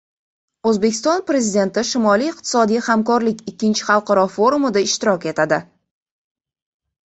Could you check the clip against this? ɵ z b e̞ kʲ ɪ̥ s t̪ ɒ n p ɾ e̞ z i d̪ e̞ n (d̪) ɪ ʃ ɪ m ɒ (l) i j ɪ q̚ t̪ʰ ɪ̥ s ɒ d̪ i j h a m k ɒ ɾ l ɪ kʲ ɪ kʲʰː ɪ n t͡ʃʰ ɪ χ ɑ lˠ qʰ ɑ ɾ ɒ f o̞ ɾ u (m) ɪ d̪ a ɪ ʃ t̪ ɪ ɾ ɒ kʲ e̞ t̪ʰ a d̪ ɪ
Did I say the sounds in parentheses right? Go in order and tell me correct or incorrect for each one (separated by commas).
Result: incorrect, correct, correct